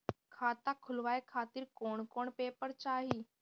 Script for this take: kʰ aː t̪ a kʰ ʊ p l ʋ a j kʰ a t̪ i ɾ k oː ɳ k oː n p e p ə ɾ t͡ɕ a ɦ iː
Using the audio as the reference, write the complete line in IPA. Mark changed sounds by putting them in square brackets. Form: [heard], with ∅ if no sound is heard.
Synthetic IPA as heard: kʰ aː t̪ a kʰ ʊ [∅] l ʋ a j kʰ a t̪ [iː] ɾ k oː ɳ k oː [ɳ] p e p ə ɾ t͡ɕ a ɦ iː